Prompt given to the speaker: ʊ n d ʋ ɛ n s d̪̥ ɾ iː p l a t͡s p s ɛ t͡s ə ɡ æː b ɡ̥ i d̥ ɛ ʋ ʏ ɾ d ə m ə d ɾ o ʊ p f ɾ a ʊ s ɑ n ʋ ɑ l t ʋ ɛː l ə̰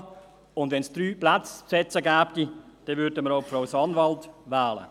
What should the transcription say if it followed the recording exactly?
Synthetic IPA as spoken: ʊ n d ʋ ɛ n s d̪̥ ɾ yː p l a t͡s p s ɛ t͡s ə ɡ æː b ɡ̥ i d̥ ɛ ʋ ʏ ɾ d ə m ə ɾ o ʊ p f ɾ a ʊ s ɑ n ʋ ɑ l t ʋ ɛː l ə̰